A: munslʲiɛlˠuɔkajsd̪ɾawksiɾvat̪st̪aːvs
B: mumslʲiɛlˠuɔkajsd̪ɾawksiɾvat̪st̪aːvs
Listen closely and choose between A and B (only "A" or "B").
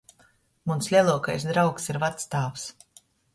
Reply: A